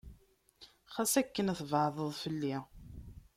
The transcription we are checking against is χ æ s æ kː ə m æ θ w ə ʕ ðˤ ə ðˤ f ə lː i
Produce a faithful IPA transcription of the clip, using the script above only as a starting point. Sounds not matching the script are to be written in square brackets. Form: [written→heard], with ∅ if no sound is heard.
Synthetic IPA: χ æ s æ kː ə [m→n] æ θ [w→v] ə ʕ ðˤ ə ðˤ f ə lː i

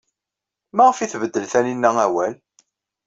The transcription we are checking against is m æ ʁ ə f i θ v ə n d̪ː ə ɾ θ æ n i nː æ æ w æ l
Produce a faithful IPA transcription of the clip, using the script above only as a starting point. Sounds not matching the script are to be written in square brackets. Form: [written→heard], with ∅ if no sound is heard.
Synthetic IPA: m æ ʁ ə f i θ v ə [n→∅] d̪ː ə [ɾ→l] θ æ n i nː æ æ w æ l

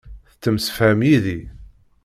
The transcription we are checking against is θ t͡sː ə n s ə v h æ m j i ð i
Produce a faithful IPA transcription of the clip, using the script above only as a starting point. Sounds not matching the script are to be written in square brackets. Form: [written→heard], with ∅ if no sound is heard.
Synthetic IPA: θ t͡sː ə [n→m] s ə [v→f] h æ m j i ð i

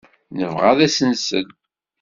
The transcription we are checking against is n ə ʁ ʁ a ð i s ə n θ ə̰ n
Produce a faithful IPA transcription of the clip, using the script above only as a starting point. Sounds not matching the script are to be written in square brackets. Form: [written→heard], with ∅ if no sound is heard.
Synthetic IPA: n ə [ʁ→v] ʁ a ð [i→æ] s ə n [θ→s] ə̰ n

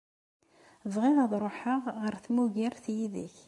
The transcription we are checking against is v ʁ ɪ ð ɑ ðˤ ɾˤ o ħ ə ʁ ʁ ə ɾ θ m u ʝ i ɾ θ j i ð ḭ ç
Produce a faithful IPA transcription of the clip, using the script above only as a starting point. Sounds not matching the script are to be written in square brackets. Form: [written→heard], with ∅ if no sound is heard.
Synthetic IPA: v ʁ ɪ ð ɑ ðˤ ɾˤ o ħ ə ʁ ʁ ə ɾ θ m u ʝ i ɾ θ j i ð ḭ ç

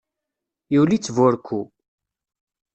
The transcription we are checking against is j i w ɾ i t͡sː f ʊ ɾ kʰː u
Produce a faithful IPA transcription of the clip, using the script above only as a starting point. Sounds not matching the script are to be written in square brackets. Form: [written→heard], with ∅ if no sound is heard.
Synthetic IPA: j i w [ɾ→l] i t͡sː [f→v] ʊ ɾ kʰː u

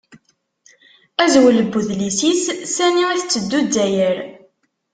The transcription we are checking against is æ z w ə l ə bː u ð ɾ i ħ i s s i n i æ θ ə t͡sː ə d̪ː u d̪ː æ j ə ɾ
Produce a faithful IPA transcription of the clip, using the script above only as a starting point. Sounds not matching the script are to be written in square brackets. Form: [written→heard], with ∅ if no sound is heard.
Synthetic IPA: æ z w ə l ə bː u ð [ɾ→l] i [ħ→s] i s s [i→æ] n i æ θ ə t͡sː ə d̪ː u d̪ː æ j ə ɾ

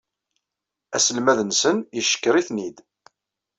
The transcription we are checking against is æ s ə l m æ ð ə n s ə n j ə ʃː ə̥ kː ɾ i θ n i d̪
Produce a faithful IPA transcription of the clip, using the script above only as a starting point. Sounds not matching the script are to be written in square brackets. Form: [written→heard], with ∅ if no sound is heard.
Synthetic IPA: æ s ə l m æ ð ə n s ə n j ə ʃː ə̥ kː ɾ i θ n i d̪

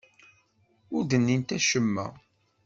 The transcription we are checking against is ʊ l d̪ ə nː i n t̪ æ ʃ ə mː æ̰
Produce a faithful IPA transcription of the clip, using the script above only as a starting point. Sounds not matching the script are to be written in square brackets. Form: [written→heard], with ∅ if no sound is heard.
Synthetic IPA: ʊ [l→ɾ] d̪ ə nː i n t̪ æ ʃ ə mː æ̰

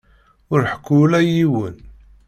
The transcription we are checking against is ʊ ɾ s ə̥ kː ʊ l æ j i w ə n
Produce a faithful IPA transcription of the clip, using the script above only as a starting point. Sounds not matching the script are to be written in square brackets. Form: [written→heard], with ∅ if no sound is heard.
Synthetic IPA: ʊ ɾ [s→ħ] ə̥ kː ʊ l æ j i w ə n

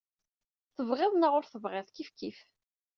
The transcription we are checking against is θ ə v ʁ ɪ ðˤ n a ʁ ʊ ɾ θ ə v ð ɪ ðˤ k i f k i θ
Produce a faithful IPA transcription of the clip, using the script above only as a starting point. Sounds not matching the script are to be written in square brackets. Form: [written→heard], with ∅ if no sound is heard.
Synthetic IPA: θ ə v ʁ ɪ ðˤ n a ʁ ʊ ɾ θ ə v [ð→ʁ] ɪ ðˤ k i f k i [θ→f]

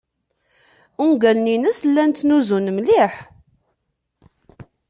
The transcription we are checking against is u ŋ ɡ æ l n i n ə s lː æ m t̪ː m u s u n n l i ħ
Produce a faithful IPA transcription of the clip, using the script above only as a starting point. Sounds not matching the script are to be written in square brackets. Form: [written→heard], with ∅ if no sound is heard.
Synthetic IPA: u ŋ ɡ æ l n i n ə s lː æ [m→n] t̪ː [m→n] u [s→z] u n [n→m] l i ħ

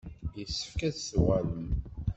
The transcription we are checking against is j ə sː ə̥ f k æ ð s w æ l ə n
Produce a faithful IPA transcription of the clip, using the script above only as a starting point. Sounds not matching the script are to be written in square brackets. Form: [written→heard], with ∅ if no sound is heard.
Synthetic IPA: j ə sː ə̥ f k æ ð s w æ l ə [n→m]

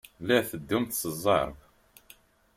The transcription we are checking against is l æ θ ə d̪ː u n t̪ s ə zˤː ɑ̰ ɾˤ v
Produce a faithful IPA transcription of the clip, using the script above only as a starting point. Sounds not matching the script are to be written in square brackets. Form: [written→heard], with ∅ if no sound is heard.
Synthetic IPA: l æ θ ə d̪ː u [n→m] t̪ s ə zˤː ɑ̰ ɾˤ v

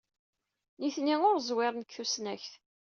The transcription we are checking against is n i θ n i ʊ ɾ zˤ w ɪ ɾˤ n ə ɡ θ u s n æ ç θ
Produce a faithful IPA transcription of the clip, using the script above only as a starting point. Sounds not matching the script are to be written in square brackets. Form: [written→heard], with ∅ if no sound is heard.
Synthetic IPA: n i θ n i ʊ ɾ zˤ w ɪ ɾˤ n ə [ɡ→k] θ u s n æ ç θ

